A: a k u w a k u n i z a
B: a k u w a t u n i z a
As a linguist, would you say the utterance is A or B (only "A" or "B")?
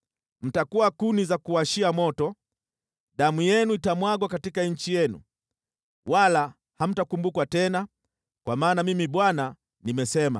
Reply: A